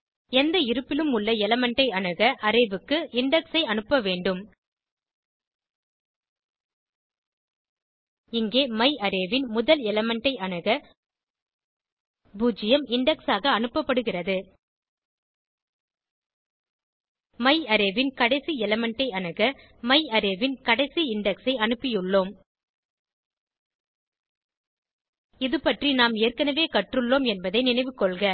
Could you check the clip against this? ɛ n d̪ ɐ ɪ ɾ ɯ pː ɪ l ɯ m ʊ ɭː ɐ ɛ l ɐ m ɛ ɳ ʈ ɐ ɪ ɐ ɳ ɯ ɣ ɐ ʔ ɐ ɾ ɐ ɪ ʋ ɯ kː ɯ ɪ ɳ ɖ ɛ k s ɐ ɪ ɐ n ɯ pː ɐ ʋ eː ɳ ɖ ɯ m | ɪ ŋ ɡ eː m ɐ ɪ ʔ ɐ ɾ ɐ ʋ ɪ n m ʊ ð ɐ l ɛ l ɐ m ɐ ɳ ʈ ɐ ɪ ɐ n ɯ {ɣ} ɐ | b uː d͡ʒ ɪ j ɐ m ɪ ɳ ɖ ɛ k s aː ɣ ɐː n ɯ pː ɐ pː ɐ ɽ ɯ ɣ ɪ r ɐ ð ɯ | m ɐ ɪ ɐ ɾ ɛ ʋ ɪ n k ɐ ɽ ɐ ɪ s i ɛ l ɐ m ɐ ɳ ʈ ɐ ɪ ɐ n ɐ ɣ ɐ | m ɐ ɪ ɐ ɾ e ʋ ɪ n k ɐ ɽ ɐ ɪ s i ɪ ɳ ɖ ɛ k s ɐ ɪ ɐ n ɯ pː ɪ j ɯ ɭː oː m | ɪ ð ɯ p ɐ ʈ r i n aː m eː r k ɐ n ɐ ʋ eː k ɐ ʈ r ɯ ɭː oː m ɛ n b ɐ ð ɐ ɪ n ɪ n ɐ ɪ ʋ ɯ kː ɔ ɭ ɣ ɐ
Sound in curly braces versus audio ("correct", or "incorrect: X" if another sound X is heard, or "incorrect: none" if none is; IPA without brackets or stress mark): correct